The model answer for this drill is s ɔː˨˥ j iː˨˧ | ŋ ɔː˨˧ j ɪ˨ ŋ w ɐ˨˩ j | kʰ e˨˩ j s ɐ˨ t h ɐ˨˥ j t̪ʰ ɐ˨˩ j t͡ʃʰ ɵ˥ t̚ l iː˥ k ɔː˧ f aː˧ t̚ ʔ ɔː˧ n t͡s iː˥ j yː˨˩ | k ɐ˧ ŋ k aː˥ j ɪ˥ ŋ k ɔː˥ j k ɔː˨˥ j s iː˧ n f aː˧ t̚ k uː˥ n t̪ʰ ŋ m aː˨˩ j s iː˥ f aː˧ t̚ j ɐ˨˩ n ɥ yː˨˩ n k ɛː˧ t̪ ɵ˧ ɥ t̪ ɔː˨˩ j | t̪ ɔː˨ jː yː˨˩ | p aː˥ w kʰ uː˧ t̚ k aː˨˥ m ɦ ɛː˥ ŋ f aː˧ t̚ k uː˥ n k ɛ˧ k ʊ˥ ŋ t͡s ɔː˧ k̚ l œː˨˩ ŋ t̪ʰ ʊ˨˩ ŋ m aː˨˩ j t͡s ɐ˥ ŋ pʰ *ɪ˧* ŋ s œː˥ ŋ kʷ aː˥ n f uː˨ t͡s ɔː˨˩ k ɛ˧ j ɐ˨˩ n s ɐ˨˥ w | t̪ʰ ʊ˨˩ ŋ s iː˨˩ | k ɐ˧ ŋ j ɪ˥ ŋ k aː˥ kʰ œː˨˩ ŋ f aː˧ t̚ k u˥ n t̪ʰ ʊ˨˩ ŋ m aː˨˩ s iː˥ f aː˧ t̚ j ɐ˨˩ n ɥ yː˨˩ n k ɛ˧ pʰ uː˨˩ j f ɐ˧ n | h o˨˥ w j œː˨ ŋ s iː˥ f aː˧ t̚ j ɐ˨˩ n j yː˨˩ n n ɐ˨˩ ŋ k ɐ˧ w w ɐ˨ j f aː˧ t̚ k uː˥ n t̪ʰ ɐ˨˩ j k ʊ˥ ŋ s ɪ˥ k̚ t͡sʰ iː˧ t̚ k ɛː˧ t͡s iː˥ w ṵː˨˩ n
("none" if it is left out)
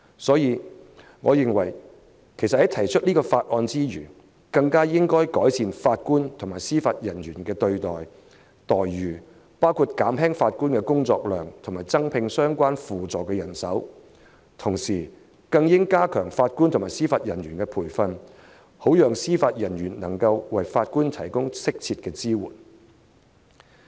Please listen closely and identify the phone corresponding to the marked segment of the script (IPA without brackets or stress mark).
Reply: ɪ˧